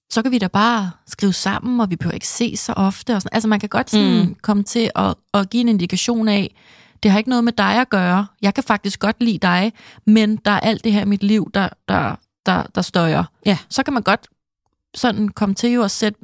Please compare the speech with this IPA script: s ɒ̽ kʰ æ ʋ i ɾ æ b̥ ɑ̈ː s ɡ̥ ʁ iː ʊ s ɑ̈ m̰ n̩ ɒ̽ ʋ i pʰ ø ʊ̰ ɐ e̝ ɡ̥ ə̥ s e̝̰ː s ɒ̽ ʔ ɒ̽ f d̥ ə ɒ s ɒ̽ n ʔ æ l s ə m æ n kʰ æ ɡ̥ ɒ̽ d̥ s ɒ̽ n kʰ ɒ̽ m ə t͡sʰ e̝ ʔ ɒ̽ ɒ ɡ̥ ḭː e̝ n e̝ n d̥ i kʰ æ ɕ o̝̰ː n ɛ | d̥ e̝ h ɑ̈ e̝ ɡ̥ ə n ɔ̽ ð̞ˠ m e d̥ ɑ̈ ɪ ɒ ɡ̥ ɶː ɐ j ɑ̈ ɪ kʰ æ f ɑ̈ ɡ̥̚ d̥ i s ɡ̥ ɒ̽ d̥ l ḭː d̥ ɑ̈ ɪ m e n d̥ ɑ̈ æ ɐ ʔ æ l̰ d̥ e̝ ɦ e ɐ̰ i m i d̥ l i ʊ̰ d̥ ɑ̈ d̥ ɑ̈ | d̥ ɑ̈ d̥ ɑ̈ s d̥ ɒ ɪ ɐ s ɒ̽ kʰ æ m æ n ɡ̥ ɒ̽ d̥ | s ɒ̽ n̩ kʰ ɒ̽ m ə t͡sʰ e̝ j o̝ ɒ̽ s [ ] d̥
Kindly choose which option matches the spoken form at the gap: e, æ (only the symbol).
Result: e